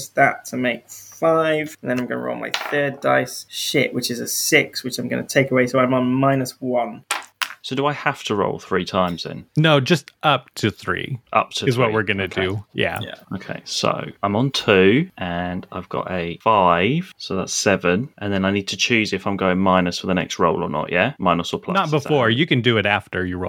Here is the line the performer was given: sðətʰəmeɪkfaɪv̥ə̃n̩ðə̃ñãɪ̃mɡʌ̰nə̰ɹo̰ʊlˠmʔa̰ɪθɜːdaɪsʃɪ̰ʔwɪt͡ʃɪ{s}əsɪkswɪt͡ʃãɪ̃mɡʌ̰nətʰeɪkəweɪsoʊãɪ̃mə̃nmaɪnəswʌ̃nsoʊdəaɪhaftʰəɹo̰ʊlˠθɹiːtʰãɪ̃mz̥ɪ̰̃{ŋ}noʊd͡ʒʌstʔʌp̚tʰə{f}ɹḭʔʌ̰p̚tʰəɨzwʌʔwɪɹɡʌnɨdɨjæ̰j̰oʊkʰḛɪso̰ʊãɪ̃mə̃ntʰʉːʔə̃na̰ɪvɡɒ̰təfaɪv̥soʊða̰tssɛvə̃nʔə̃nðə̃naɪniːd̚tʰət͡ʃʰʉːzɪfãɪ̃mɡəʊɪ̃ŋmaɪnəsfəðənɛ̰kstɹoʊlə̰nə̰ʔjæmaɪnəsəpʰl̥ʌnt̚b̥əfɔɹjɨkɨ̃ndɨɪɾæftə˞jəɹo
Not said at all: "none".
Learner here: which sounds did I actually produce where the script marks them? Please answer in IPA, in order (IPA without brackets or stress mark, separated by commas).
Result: z, n, θ